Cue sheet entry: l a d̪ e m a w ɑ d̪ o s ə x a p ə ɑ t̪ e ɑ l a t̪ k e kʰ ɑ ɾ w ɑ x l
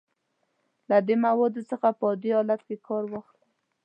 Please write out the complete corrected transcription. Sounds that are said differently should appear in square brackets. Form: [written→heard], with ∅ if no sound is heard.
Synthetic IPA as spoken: l a d̪ e m a w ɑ d̪ o s ə x a p ə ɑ [t̪→d̪] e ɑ l a t̪ k e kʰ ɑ ɾ w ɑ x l